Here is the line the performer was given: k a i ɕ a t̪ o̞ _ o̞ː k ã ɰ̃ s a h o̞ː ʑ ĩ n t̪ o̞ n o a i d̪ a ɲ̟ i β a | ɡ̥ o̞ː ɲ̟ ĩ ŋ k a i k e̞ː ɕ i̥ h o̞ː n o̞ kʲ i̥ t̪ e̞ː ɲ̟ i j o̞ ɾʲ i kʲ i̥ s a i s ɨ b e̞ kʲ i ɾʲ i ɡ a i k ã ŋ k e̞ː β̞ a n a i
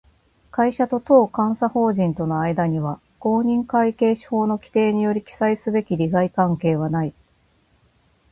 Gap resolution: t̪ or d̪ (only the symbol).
t̪